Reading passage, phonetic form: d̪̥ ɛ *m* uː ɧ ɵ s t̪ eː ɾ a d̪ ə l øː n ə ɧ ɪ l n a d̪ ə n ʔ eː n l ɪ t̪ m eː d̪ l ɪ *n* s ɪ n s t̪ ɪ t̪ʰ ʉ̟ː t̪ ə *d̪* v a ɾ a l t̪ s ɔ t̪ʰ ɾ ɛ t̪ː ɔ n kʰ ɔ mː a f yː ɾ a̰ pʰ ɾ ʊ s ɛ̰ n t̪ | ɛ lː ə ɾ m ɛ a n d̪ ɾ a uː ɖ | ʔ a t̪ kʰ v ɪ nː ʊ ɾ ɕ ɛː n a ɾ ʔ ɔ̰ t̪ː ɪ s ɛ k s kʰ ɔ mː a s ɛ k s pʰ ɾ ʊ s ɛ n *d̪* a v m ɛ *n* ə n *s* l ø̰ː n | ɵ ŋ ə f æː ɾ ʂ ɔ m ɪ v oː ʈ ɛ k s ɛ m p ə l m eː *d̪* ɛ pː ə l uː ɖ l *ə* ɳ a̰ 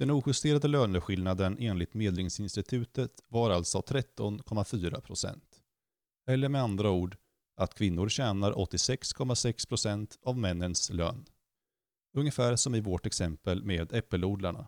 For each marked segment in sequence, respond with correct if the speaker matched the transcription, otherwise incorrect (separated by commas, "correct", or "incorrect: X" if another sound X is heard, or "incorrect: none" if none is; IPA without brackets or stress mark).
incorrect: n, incorrect: ŋ, incorrect: t̪, incorrect: t̪, incorrect: nː, correct, correct, incorrect: a